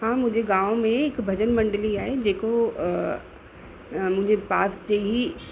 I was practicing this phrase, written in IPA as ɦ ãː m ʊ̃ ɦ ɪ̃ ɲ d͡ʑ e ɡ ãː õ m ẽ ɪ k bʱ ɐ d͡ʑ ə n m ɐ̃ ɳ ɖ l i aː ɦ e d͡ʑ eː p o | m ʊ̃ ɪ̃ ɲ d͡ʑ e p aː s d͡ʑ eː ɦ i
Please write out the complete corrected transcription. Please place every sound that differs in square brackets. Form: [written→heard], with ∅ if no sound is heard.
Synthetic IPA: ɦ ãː m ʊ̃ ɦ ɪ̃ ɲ d͡ʑ e ɡ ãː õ m ẽ ɪ k bʱ ɐ d͡ʑ ə n m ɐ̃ ɳ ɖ l i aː ɦ e d͡ʑ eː [p→k] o | m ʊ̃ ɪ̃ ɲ d͡ʑ e p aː s d͡ʑ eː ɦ i